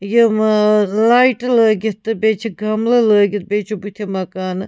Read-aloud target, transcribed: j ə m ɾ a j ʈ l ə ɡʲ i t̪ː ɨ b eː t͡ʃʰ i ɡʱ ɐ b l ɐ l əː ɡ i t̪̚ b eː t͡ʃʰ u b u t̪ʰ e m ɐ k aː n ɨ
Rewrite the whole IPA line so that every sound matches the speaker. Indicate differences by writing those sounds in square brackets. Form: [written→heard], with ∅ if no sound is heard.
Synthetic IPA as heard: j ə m [ɾ→l] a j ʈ l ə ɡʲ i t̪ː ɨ b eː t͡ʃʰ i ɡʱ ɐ [b→m] l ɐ l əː ɡ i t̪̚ b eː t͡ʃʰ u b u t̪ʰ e m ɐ k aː n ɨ